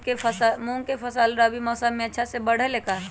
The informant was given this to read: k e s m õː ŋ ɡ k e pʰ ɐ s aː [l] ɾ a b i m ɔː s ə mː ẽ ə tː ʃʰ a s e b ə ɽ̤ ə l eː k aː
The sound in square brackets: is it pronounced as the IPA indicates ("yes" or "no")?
yes